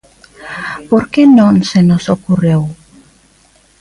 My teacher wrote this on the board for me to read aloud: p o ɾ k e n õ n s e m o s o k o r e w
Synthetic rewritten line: p o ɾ k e n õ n s e n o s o k u r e w